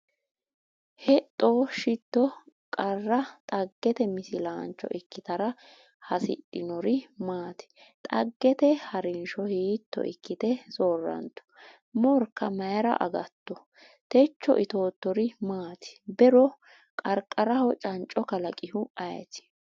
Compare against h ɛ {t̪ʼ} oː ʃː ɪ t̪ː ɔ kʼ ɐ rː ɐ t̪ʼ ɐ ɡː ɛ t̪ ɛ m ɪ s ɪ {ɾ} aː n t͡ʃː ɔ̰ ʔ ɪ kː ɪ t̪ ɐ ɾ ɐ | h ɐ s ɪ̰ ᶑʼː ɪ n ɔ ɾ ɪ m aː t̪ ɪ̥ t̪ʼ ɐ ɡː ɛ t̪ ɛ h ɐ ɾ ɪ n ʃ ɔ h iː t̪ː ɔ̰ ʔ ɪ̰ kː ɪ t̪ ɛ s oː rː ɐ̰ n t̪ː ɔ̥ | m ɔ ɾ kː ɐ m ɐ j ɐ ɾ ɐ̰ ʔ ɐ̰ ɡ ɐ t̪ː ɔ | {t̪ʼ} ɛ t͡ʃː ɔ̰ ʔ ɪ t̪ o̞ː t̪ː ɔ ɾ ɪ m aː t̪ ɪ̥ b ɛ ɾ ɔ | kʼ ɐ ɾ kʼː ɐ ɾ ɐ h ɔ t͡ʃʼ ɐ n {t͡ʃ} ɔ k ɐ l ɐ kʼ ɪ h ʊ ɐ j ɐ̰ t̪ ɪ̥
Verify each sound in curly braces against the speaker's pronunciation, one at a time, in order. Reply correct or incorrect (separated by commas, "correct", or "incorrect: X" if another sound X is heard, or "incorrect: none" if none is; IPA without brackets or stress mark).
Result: correct, incorrect: l, incorrect: t̪, incorrect: t͡ʃʼ